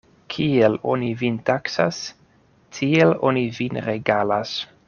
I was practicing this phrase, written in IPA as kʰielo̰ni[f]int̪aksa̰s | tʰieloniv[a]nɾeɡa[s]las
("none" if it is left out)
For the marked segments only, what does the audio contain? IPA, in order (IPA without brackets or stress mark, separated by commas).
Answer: v, i, none